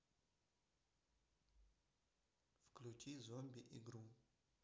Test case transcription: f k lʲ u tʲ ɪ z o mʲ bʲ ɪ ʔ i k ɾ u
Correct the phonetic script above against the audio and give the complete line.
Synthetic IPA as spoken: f k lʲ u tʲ i z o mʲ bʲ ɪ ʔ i ɡ ɾ u